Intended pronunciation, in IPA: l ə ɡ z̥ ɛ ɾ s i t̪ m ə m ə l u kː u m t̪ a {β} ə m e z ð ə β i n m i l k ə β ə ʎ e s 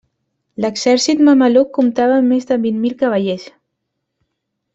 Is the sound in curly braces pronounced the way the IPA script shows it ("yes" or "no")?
yes